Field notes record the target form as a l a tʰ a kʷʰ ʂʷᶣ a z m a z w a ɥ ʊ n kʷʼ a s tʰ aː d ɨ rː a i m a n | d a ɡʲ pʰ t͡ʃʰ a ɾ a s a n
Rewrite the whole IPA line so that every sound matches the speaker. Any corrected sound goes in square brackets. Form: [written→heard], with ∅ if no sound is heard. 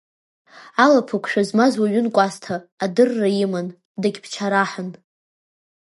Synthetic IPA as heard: a l a [tʰ→pʰ] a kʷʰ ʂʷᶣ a z m a z w a ɥ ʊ n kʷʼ a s tʰ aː d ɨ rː a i m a n | d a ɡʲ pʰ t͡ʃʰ a ɾ a [s→ħ] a n

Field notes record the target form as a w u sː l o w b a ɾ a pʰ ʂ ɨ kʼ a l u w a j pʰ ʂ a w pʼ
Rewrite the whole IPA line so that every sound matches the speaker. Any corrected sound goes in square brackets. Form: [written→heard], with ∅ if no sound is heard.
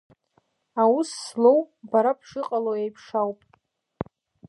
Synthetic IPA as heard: a w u sː l o w b a ɾ a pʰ ʂ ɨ [kʼ→qʼ] a l [u→o] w [a→e] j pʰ ʂ a w pʼ

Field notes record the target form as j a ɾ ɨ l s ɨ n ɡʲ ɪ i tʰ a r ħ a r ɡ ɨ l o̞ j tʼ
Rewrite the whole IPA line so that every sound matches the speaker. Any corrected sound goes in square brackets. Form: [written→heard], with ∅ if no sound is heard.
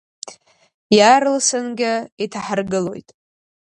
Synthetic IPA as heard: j a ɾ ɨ l s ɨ n ɡʲ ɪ i tʰ a [r→∅] ħ a r ɡ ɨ l o̞ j tʼ

